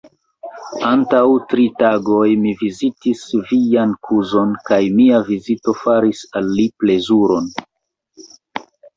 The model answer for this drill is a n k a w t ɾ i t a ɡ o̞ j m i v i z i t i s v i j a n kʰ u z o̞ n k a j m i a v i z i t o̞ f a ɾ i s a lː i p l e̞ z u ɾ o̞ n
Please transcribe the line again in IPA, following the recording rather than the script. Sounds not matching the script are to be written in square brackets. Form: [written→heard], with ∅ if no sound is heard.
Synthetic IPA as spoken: a n [k→t] a w t ɾ i t a ɡ o̞ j m i v i z i t i s v i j a n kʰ u z o̞ n k a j m i a v i z i t o̞ f a ɾ i s a lː i p l e̞ z u ɾ o̞ n